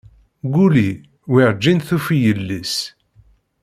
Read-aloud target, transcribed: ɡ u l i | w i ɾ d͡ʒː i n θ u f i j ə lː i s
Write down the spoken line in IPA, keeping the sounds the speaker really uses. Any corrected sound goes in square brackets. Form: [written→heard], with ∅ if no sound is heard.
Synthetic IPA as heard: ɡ u l i | w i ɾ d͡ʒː i n θ u f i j ə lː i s